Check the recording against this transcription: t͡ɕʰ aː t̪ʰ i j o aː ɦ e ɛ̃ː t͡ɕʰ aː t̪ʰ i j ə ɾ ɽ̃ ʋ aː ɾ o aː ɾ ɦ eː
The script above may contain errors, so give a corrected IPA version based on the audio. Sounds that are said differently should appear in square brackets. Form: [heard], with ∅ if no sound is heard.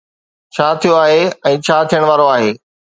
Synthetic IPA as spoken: t͡ɕʰ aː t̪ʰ i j o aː ɦ e ɛ̃ː t͡ɕʰ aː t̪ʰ i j ə [∅] ɽ̃ ʋ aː ɾ o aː [∅] ɦ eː